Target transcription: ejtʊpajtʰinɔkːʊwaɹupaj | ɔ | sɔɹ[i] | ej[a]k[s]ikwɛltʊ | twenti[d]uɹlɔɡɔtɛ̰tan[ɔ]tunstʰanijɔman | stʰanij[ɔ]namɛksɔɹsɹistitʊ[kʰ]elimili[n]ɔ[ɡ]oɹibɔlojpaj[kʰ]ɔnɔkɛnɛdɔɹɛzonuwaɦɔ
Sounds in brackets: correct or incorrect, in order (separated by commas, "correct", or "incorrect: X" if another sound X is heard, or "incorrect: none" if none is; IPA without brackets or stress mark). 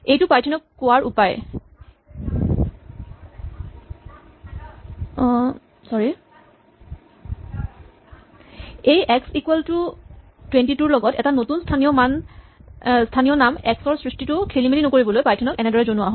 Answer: correct, incorrect: ɛ, correct, incorrect: t, incorrect: o, correct, correct, correct, incorrect: k, incorrect: tʰ